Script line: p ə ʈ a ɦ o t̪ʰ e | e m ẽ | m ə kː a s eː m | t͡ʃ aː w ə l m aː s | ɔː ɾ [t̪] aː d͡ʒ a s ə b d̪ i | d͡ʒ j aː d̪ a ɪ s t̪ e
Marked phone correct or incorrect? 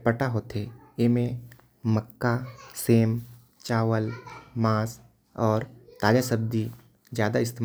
correct